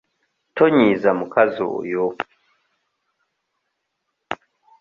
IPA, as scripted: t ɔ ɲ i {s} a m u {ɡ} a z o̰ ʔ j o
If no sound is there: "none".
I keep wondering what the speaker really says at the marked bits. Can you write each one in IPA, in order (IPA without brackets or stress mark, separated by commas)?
z, k